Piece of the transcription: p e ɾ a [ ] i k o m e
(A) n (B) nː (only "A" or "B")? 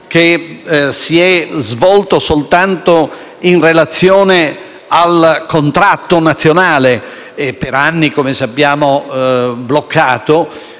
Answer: B